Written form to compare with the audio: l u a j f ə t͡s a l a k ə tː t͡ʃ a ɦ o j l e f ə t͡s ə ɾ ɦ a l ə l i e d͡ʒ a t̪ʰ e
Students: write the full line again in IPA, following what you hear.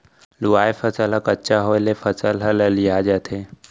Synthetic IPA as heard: l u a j f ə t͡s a l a k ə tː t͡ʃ a ɦ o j l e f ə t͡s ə l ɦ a l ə l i a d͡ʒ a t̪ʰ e